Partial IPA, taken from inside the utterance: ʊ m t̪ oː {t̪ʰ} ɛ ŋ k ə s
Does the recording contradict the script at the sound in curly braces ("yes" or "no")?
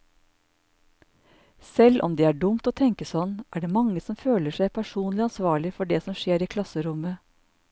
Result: no